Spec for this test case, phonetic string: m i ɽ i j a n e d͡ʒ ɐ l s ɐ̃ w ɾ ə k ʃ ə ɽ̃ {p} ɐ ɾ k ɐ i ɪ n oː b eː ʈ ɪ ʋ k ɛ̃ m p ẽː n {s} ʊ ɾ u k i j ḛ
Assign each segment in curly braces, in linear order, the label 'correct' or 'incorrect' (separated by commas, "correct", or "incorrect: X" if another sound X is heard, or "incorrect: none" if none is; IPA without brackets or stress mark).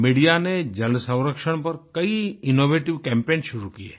correct, incorrect: ʃ